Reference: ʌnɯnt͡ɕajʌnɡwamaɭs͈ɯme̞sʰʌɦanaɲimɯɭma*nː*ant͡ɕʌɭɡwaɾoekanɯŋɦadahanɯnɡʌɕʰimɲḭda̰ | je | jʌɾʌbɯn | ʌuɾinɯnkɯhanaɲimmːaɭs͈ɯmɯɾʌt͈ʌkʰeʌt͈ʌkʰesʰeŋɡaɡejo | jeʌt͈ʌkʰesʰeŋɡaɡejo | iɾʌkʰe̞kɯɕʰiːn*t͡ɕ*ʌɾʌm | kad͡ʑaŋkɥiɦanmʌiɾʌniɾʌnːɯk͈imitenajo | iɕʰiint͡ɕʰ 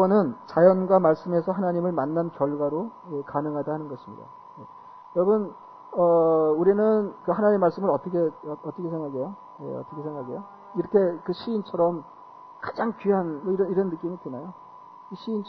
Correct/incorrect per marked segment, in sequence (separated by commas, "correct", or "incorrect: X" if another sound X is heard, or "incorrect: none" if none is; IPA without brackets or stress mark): correct, incorrect: t͡ɕʰ